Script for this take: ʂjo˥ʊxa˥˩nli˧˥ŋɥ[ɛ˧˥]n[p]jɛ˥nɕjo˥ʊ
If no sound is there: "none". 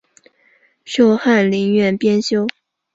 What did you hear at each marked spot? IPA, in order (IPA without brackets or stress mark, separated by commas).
ɛ˥˩, p